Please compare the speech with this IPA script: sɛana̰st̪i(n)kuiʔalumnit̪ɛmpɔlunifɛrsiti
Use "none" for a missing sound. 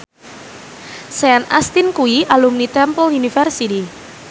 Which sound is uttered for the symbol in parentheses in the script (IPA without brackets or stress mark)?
n